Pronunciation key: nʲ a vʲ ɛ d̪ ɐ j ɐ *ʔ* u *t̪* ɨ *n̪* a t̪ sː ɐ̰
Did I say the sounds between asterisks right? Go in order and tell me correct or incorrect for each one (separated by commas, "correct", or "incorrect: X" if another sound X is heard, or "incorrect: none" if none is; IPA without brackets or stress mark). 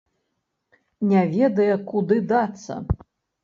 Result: incorrect: k, incorrect: d̪, incorrect: d̪